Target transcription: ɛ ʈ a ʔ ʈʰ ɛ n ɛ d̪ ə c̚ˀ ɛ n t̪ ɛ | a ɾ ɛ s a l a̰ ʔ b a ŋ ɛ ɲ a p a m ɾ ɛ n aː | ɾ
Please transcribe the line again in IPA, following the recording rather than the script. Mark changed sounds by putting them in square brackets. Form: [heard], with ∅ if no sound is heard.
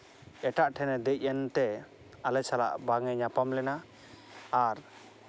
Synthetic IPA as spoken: ɛ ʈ a ʔ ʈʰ ɛ n ɛ d̪ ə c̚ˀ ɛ n t̪ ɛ | a [l] ɛ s a l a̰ ʔ b a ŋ ɛ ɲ a p a m [l] ɛ n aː | ɾ

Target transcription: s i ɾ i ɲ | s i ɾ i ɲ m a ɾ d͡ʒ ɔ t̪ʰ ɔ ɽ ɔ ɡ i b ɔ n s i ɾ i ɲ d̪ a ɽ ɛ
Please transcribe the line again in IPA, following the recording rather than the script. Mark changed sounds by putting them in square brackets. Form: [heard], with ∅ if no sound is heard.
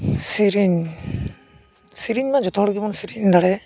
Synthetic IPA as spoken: s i ɾ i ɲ | s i ɾ i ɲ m a [∅] d͡ʒ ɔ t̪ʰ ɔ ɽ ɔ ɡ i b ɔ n s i ɾ i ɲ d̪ a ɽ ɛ

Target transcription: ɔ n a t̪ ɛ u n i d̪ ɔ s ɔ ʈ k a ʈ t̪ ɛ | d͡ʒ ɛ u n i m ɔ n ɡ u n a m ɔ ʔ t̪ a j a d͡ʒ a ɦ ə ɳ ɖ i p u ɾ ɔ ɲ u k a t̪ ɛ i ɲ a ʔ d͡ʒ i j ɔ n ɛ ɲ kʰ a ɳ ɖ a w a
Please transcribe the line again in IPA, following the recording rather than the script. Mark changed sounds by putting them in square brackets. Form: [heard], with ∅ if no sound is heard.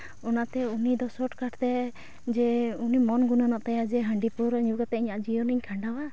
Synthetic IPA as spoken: ɔ n a t̪ ɛ u n i d̪ ɔ s ɔ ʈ k a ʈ t̪ ɛ | d͡ʒ ɛ u n i m ɔ n ɡ u n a [n] ɔ ʔ t̪ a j a d͡ʒ [ɛ] ɦ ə ɳ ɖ i p u ɾ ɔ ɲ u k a t̪ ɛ i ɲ a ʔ d͡ʒ i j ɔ n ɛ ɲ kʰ a ɳ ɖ a w a

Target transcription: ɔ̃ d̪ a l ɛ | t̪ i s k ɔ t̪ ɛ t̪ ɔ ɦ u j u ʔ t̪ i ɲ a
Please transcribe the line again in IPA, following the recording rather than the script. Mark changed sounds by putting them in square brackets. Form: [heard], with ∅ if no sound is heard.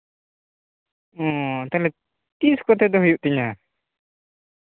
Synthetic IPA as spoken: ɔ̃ [t̪] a l ɛ | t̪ i s k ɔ t̪ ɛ [d̪] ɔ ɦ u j u ʔ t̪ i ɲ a

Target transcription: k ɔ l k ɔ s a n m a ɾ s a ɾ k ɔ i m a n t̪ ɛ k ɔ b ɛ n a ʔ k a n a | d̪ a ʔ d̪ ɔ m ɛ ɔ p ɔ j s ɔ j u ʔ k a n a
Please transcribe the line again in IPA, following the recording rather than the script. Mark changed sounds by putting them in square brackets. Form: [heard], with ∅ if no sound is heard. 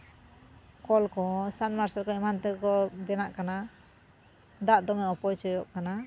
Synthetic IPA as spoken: k ɔ l k ɔ s a n m a ɾ s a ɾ k ɔ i m a n t̪ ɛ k ɔ b ɛ n a ʔ k a n a | d̪ a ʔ d̪ ɔ m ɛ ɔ p ɔ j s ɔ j [ɔ] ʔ k a n a

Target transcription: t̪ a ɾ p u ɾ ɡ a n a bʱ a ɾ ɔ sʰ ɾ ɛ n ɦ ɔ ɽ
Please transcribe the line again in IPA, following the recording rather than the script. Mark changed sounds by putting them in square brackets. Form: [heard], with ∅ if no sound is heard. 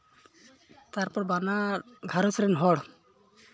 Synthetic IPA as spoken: t̪ a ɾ p [ɔ] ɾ [b] a n a [ɡʱ] a ɾ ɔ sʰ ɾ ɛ n ɦ ɔ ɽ

